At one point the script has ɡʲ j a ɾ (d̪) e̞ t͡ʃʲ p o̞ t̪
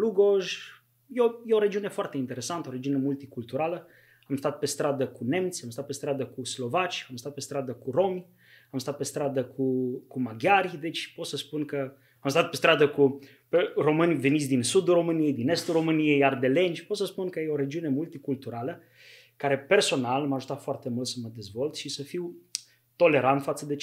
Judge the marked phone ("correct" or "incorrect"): correct